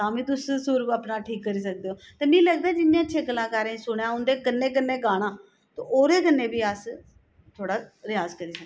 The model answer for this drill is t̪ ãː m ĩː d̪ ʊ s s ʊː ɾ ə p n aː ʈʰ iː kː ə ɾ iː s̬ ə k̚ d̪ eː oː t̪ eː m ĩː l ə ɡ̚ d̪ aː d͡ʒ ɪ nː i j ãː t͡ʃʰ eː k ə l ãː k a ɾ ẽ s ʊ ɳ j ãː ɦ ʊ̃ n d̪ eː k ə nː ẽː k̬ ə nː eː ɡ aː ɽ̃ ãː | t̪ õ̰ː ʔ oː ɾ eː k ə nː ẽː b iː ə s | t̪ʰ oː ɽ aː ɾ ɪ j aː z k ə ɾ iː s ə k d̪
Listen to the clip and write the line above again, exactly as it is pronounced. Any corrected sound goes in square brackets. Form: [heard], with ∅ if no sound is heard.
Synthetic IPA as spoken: t̪ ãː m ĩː [t̪] ʊ s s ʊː ɾ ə p n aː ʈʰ iː kː ə ɾ iː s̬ ə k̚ d̪ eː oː t̪ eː m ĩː l ə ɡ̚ d̪ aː d͡ʒ ɪ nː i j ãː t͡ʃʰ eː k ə l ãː k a ɾ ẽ s ʊ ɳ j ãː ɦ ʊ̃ n d̪ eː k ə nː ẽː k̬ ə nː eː ɡ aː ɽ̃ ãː | t̪ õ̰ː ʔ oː ɾ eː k ə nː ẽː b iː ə s | t̪ʰ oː ɽ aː ɾ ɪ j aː z k ə ɾ iː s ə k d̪

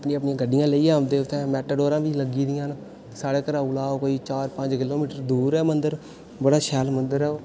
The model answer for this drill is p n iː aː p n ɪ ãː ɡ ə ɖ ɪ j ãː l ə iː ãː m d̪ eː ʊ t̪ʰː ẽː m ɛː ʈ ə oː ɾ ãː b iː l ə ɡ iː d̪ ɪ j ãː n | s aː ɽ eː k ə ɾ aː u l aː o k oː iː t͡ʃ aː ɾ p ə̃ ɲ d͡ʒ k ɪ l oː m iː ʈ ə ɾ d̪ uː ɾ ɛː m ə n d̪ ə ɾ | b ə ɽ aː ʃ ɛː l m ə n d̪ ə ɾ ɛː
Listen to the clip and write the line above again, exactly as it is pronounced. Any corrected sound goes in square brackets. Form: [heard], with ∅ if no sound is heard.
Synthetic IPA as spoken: p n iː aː p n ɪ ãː ɡ ə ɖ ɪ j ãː l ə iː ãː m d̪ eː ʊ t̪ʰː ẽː m ɛː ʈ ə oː ɾ ãː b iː l ə ɡ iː d̪ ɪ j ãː n | s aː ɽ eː k ə ɾ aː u l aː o k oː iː t͡ʃ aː ɾ p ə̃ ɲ d͡ʒ k ɪ l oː m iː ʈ ə ɾ d̪ uː ɾ ɛː m ə n d̪ ə ɾ | b ə ɽ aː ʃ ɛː l m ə n d̪ ə ɾ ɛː

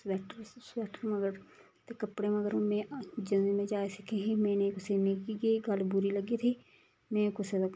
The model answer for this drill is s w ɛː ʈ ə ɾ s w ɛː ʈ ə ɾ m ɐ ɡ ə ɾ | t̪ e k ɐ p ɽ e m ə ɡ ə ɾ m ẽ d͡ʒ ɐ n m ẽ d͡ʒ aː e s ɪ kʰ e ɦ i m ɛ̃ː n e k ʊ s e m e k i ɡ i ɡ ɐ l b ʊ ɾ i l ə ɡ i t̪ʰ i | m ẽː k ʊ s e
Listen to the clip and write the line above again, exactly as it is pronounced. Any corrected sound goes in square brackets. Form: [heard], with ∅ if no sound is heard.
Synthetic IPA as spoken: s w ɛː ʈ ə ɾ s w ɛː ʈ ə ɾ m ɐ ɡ ə ɾ | t̪ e k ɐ p ɽ e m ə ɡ ə ɾ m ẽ d͡ʒ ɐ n m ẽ d͡ʒ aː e s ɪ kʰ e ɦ i m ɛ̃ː n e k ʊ s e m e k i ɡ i ɡ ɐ l b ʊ ɾ i l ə ɡ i t̪ʰ i | m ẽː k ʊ s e

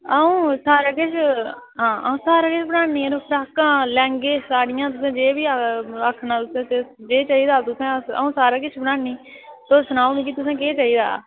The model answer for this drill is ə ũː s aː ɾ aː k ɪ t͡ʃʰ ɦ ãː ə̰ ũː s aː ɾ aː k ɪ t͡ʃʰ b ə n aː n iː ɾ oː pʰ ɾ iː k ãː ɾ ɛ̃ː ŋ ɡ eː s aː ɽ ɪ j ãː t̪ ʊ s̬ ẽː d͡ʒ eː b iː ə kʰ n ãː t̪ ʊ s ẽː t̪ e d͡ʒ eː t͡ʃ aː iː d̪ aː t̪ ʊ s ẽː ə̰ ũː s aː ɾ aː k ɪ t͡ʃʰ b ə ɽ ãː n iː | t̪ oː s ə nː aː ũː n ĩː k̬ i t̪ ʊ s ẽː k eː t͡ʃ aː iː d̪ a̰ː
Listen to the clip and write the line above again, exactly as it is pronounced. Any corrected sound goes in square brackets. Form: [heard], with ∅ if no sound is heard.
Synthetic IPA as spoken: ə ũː s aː ɾ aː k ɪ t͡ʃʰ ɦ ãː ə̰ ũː s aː ɾ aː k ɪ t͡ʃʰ b ə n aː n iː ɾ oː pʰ ɾ [aː] k ãː [l] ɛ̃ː ŋ ɡ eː s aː ɽ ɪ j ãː t̪ ʊ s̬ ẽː d͡ʒ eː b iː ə kʰ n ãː t̪ ʊ s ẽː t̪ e d͡ʒ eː t͡ʃ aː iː d̪ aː t̪ ʊ s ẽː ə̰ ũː s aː ɾ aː k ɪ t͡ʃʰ b ə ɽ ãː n iː | t̪ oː s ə [n] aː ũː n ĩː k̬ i t̪ ʊ s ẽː k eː t͡ʃ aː iː d̪ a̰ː

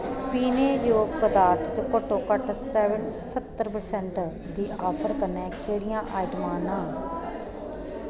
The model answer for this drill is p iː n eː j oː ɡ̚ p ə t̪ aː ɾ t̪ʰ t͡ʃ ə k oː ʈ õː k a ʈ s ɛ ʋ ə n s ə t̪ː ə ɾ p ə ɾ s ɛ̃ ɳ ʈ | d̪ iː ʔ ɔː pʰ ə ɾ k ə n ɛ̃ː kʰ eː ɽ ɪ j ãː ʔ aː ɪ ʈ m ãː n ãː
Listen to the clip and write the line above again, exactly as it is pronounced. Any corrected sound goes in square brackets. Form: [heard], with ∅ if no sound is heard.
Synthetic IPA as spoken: p iː n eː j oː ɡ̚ p ə [d̪] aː ɾ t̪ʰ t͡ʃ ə k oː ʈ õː k [ə] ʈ s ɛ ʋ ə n s ə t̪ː ə ɾ p ə ɾ s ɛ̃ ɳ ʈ | d̪ iː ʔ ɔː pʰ ə ɾ k ə n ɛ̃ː kʰ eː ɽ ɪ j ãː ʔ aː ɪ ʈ m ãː n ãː

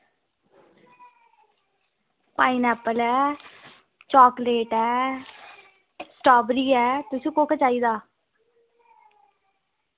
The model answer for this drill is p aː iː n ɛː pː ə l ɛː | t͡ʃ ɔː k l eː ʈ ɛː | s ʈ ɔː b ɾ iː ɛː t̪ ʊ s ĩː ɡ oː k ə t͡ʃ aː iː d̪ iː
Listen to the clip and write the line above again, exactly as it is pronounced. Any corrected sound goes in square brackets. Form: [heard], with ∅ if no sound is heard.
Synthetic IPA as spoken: p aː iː n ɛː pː ə l ɛː | t͡ʃ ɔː k l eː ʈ ɛː | s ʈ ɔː b ɾ iː ɛː t̪ ʊ s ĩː [k] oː k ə t͡ʃ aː iː d̪ [aː]

